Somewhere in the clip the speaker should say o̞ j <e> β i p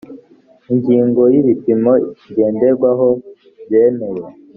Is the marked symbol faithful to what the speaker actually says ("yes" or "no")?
no